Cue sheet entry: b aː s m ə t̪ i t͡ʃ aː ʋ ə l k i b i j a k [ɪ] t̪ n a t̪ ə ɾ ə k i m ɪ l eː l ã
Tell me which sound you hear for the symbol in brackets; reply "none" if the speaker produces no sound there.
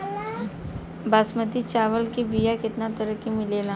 ɪ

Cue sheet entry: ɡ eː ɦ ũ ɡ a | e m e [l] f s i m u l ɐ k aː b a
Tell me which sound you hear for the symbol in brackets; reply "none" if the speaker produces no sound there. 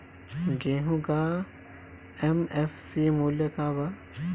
none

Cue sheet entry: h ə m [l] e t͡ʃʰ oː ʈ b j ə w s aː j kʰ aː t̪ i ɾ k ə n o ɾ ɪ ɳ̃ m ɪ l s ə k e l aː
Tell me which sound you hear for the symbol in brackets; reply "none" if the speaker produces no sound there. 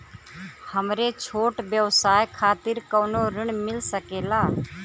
ɾ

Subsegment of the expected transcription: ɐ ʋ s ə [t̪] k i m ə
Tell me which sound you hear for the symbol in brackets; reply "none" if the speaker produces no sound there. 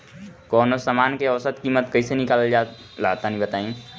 t̪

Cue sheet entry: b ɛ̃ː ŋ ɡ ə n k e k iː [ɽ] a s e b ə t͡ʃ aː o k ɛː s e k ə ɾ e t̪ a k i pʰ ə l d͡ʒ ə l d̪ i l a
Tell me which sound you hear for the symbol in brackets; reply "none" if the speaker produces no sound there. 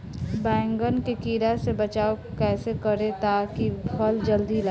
ɾ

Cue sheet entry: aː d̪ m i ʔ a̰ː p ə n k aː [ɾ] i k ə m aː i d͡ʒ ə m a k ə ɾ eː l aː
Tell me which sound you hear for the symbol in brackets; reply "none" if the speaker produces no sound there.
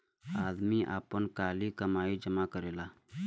l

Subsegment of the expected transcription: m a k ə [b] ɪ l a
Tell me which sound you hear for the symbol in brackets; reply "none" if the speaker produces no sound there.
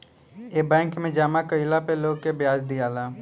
none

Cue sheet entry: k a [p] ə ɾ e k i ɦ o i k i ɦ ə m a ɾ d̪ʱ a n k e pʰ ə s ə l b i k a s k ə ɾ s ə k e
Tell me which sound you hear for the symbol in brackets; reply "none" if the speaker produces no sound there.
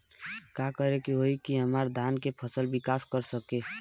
k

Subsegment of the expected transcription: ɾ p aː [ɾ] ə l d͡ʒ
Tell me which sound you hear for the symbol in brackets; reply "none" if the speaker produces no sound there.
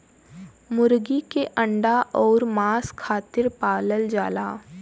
l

